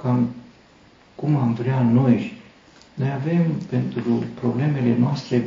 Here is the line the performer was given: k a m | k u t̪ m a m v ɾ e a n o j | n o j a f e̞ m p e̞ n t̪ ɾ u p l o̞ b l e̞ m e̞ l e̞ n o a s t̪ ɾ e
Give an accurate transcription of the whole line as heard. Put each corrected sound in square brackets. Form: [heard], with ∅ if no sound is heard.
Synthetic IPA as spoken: k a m | k u [∅] m a m v ɾ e a n o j | n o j a [v] e̞ m p e̞ n t̪ ɾ u p [ɾ] o̞ b l e̞ m e̞ l e̞ n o a s t̪ ɾ e